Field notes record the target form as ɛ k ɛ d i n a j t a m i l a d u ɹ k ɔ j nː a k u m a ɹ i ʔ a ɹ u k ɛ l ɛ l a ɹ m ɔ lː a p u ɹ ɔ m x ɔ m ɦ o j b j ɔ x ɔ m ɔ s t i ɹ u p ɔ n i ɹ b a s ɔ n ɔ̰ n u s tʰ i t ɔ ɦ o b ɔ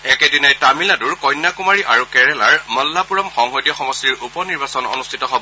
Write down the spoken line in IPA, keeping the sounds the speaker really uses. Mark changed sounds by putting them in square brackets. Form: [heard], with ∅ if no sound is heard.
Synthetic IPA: ɛ k ɛ d i n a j t a m i l a d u ɹ k ɔ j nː a k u m a ɹ i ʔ a ɹ u k ɛ [ɹ] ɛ l a ɹ m ɔ lː a p u ɹ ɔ m x ɔ [ŋ] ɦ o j [d] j ɔ x ɔ m ɔ s t i ɹ u p ɔ n i ɹ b a s ɔ n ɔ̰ n u s tʰ i t ɔ ɦ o b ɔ